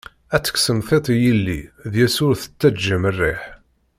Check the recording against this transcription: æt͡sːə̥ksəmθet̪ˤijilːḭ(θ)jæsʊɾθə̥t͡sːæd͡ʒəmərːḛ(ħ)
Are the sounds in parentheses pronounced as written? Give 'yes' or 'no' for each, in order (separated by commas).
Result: no, yes